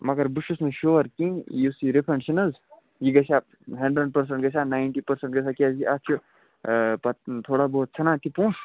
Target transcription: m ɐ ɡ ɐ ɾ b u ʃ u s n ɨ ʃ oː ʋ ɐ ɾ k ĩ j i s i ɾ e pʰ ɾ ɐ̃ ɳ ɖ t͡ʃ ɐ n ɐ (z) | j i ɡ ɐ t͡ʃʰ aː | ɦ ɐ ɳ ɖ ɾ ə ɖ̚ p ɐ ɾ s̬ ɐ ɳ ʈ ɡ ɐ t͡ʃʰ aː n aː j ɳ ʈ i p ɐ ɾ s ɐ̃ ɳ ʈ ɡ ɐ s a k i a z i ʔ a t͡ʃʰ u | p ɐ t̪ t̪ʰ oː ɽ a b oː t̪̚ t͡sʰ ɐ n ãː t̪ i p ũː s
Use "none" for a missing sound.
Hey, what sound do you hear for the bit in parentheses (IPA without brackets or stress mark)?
z